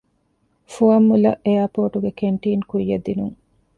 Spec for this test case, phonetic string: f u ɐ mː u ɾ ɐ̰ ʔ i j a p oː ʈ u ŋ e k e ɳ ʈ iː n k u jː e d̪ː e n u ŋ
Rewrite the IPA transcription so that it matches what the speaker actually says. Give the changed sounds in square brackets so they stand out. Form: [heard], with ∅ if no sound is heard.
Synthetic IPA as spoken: f u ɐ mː u [l] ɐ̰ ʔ [e] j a p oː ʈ u [ɡ] e k e ɳ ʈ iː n k u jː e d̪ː [i] n u ŋ